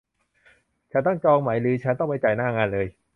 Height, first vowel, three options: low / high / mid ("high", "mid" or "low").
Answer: low